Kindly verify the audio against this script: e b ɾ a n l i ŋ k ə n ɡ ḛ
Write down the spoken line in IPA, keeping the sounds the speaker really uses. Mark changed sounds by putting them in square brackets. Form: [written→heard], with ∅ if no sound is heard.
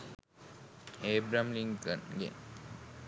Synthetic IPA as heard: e b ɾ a [n→m] l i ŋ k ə n ɡ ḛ